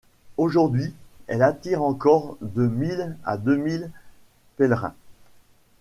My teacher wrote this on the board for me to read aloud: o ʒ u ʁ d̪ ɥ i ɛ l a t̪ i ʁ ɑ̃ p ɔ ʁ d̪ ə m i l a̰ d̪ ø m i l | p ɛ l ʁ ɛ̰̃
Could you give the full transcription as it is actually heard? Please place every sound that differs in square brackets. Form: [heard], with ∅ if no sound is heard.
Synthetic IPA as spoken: o ʒ u ʁ d̪ ɥ i ɛ l a t̪ i ʁ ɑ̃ [k] ɔ ʁ d̪ ə m i l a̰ d̪ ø m i l | p ɛ l ʁ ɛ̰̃